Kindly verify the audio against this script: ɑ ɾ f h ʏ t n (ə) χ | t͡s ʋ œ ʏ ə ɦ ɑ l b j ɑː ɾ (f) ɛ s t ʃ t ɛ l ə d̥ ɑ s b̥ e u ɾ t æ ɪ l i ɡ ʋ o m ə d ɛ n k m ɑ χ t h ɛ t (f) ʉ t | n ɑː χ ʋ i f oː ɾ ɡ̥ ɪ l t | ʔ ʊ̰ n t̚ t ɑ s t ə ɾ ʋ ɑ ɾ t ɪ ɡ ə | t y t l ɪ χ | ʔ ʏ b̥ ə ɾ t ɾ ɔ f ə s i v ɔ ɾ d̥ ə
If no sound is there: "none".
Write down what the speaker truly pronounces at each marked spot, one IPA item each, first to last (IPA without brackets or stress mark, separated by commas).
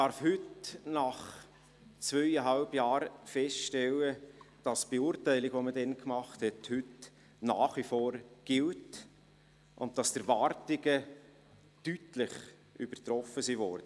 ɑ, f, h